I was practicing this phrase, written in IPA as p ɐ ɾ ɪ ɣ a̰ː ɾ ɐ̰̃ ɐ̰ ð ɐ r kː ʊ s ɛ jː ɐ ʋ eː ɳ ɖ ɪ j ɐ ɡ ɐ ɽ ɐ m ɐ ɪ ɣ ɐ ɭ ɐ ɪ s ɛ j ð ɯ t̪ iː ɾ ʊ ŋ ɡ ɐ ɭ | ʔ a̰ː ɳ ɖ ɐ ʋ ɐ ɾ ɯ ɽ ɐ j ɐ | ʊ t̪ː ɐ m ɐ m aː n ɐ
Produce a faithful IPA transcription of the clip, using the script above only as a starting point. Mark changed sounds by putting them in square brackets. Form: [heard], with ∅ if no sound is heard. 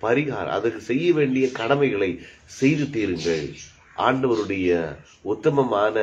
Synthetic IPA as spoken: p ɐ ɾ ɪ ɣ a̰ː ɾ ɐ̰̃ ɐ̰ ð ɐ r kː [ɯ] s ɛ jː ɐ ʋ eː ɳ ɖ ɪ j ɐ [k] ɐ ɽ ɐ m ɐ ɪ ɣ ɐ ɭ ɐ ɪ s ɛ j ð ɯ t̪ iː ɾ [ɯ] ŋ ɡ ɐ ɭ | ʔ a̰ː ɳ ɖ ɐ ʋ ɐ ɾ ɯ ɽ ɐ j ɐ | ʊ t̪ː ɐ m ɐ m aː n ɐ